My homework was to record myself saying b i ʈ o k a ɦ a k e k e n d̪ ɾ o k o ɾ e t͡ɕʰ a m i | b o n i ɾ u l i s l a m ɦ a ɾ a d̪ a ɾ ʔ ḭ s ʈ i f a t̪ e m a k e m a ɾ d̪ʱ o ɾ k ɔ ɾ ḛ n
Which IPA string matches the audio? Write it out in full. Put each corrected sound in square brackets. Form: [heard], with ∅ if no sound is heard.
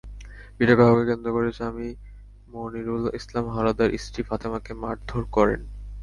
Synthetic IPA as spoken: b i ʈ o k a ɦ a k e k e n d̪ ɾ o k o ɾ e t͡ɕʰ a m i | [m] o n i ɾ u l i s l a m ɦ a ɾ a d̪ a ɾ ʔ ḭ s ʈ i f a t̪ e m a k e m a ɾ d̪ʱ o ɾ k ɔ ɾ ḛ n